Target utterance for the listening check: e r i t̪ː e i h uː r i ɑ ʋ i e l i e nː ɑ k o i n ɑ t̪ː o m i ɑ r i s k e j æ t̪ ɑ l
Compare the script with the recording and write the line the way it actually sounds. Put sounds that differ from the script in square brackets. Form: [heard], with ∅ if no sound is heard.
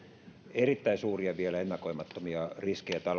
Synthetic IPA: e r i t̪ː [æ] i [s] uː r i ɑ ʋ i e l [æ] e nː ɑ k o i [m] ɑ t̪ː o m i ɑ r i s k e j æ t̪ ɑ l